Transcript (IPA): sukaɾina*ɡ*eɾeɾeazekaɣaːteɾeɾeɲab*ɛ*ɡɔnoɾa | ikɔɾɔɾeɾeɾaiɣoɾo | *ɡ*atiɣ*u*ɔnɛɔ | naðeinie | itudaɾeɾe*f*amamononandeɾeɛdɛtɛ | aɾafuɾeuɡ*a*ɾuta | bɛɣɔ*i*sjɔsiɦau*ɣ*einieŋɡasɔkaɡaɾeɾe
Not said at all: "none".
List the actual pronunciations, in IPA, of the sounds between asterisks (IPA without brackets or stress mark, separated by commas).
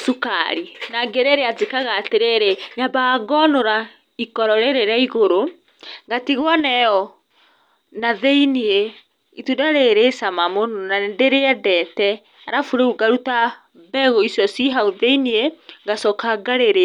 ɡ, a, ɡ, w, s, a, i, ð